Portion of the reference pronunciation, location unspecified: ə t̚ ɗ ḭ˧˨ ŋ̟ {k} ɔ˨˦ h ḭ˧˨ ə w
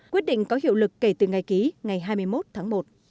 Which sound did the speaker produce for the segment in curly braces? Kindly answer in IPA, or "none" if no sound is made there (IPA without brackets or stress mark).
k